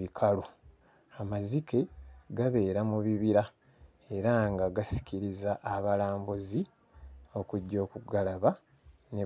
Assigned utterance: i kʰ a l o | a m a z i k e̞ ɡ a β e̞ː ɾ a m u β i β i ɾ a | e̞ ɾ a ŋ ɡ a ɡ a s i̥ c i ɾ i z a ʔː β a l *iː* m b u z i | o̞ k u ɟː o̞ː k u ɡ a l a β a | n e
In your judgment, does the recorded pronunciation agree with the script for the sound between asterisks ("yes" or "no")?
no